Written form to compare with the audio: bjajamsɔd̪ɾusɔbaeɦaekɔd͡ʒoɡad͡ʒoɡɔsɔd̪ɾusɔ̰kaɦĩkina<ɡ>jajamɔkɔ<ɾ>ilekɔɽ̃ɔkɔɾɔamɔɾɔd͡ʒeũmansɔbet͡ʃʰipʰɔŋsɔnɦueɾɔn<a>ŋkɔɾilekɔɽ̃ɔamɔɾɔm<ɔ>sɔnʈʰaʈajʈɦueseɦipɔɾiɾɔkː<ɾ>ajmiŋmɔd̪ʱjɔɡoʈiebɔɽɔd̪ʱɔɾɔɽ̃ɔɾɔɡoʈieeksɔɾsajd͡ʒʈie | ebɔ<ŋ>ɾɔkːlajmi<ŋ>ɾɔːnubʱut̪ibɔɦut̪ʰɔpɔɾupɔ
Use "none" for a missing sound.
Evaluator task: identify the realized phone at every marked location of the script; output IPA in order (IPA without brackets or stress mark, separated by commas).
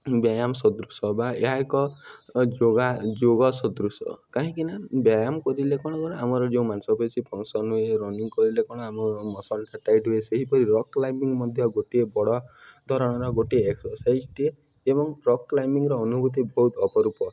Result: b, ɾ, i, ɔ, l, ŋ, ŋ